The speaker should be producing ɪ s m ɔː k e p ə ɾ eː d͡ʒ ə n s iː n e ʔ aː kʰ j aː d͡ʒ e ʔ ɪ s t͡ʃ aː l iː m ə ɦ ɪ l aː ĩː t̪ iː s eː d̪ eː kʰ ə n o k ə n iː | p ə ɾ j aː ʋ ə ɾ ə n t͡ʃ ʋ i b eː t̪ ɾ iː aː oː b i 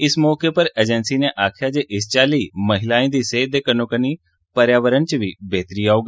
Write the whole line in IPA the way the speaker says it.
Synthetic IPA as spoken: ɪ s m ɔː k e p ə ɾ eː d͡ʒ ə n s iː n e ʔ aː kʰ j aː d͡ʒ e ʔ ɪ s t͡ʃ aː l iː m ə ɦ ɪ l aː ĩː d̪ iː s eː d̪ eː k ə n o k ə n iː | p ə ɾ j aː ʋ ə ɾ ə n t͡ʃ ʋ i b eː t̪ ɾ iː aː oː ɡ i

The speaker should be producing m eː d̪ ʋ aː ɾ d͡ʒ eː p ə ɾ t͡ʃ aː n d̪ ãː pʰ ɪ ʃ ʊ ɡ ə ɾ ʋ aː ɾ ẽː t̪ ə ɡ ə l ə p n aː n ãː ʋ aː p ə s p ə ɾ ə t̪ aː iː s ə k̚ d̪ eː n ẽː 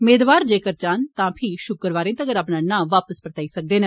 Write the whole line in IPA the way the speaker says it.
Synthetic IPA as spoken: m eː d̪ ʋ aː ɾ d͡ʒ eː k ə ɾ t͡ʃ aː n t̪ ãː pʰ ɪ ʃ ʊ k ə ɾ ʋ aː ɾ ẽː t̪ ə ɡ ə ɾ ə p n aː n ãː ʋ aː p ə s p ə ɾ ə t̪ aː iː s ə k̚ d̪ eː n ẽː

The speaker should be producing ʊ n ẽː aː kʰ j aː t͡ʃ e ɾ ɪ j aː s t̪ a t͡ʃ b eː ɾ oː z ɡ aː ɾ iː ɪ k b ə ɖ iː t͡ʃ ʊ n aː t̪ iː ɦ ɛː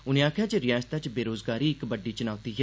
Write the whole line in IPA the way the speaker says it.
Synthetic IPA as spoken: ʊ n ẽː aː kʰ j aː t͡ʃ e ɾ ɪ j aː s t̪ a t͡ʃ b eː ɾ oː z ɡ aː ɾ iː ɪ k b ə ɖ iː t͡ʃ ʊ n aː t̪ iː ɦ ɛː

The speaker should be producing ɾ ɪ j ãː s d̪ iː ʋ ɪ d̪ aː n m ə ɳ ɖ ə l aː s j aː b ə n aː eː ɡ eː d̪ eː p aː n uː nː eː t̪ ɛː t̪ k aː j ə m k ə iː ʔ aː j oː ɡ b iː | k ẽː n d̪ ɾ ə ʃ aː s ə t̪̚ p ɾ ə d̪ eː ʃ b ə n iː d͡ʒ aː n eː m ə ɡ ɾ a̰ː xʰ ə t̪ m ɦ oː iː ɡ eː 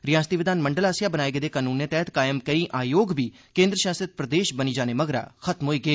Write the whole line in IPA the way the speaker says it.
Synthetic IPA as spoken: ɾ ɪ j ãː s t̪ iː ʋ ɪ d̪ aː n m ə ɳ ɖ ə l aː s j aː b ə n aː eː ɡ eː d̪ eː k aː n uː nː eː t̪ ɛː t̪ k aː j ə m k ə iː ʔ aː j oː ɡ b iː | k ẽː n d̪ ɾ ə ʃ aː s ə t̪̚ p ɾ ə d̪ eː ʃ b ə n iː d͡ʒ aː n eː m ə ɡ ɾ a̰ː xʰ ə t̪ m ɦ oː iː ɡ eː

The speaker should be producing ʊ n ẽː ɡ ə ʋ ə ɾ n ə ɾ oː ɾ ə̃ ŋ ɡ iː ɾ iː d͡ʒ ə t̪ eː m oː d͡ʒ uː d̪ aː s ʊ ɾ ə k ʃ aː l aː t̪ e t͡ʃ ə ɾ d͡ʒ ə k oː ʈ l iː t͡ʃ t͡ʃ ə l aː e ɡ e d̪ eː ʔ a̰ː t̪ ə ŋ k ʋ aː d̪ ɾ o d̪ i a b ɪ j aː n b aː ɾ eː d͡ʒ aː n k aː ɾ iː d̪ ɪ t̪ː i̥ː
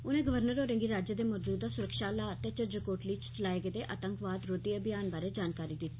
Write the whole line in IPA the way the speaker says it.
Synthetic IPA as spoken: ʊ n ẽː ɡ ə ʋ ə ɾ n ə ɾ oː ɾ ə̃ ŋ ɡ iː ɾ aː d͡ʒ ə d̪ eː m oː d͡ʒ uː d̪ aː s ʊ ɾ ə k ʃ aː l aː t̪ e t͡ʃ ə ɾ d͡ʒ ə k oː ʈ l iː t͡ʃ t͡ʃ ə l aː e ɡ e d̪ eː ʔ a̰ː t̪ ə ŋ k ʋ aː d̪ ɾ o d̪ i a b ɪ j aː n b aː ɾ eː d͡ʒ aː n k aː ɾ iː d̪ ɪ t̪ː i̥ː

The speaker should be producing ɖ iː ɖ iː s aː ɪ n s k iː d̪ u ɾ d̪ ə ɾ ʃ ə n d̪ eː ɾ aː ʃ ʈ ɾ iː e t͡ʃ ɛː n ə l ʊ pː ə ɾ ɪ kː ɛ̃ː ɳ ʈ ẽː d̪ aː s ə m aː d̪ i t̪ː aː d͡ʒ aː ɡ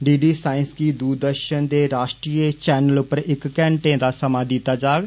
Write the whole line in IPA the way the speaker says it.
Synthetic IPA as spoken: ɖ iː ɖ iː s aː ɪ n s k iː d̪ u ɾ d̪ ə ɾ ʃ ə n d̪ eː ɾ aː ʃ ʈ ɾ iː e t͡ʃ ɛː n ə l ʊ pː ə ɾ ɪ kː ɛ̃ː ɳ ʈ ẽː d̪ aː s ə m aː d̪ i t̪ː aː d͡ʒ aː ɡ

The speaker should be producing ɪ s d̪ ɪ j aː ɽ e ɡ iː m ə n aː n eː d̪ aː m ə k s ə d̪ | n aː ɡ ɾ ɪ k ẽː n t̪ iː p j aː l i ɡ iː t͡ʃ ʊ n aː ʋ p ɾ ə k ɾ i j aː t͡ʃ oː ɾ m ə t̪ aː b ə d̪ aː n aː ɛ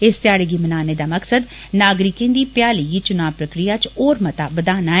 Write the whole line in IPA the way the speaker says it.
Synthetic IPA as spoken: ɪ s t̪ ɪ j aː ɽ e ɡ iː m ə n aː n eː d̪ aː m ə k s ə d̪ | n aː ɡ ɾ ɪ k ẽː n d̪ iː p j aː l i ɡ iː t͡ʃ ʊ n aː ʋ p ɾ ə k ɾ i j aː t͡ʃ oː ɾ m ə t̪ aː b ə d̪ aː n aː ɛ

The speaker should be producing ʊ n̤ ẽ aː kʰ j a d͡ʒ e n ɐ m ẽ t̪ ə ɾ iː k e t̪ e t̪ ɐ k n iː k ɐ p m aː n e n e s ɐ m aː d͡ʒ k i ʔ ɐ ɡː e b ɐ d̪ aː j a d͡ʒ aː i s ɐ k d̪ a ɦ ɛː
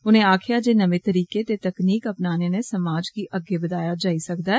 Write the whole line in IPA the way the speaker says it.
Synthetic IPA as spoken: ʊ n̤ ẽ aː kʰ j a d͡ʒ e n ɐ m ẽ t̪ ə ɾ iː k e t̪ e t̪ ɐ k n iː k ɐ p n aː n e n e s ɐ m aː d͡ʒ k i ʔ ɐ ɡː e b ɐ d̪ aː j a d͡ʒ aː i s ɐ k d̪ a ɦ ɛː

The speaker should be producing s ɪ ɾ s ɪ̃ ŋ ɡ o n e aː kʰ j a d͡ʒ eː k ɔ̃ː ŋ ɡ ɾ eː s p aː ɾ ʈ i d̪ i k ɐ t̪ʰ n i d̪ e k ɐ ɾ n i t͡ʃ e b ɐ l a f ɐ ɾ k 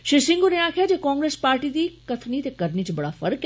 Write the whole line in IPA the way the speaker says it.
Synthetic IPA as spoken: ʃ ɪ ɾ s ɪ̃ ŋ ɡ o n e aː kʰ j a d͡ʒ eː k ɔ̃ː ŋ ɡ ɾ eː s p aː ɾ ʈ i d̪ i k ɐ t̪ʰ n i t̪ e k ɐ ɾ n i t͡ʃ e b ɐ ɽ a f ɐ ɾ k

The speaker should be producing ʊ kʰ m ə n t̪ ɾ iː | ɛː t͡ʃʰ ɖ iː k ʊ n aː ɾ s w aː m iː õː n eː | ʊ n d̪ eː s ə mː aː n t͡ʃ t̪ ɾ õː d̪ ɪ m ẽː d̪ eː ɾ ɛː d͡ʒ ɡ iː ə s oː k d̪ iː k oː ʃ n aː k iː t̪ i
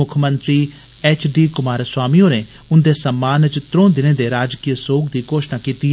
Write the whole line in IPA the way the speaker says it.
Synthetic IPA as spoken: ʊ kʰ m ə n t̪ ɾ iː | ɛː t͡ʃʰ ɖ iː k ʊ m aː ɾ s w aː m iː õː n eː | ʊ n d̪ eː s ə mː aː n t͡ʃ t̪ ɾ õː d̪ ɪ n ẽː d̪ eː ɾ aː d͡ʒ k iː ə s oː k d̪ iː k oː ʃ n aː k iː t̪ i

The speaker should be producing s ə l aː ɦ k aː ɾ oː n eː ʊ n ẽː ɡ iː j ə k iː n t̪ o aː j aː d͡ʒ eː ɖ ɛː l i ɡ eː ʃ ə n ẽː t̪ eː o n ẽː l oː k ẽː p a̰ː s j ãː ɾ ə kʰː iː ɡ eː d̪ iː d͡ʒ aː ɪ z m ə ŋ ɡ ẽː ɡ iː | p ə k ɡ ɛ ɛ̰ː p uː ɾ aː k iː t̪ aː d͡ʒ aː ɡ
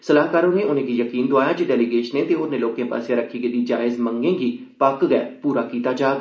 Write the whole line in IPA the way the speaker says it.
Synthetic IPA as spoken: s ə l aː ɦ k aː ɾ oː n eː ʊ n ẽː ɡ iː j ə k iː n d̪ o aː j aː d͡ʒ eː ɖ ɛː l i ɡ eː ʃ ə n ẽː t̪ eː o n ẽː l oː k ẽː p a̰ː s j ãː ɾ ə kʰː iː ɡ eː d̪ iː d͡ʒ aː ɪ z m ə ŋ ɡ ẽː ɡ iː | p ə k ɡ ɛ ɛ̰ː p uː ɾ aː k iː t̪ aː d͡ʒ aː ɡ

